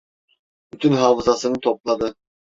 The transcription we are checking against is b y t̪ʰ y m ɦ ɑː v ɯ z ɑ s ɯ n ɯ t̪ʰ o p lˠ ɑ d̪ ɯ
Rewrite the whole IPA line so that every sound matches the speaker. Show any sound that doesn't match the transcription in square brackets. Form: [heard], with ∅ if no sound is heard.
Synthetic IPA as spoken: b y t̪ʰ y [n] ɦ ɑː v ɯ z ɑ s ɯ n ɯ t̪ʰ o p lˠ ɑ d̪ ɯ

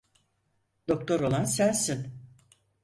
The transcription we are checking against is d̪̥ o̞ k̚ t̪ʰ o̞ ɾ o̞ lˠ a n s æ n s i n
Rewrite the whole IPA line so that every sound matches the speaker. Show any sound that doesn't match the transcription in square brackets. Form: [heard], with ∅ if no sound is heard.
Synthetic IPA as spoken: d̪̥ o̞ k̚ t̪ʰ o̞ ɾ o̞ lˠ a n s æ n s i n

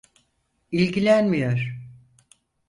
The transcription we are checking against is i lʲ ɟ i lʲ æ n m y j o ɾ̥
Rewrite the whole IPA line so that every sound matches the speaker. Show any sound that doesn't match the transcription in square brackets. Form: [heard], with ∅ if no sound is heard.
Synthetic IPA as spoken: i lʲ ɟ i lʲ æ n m [i] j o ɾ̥

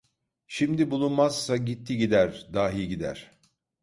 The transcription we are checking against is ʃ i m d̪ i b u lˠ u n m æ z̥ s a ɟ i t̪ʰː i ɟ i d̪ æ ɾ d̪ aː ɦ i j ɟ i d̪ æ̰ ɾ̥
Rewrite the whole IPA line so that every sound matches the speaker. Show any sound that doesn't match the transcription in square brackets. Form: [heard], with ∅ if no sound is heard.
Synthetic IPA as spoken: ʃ i m d̪ i b u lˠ u n m [a] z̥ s a ɟ i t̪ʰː i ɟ i d̪ æ ɾ d̪ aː ɦ i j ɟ i d̪ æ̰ ɾ̥

